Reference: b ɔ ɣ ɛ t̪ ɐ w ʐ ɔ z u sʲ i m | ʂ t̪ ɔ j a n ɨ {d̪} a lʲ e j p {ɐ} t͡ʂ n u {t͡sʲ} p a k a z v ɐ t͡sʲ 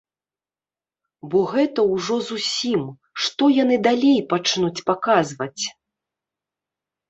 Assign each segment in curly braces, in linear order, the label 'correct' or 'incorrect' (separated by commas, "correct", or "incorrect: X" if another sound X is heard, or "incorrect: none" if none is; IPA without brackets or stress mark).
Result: correct, incorrect: a, correct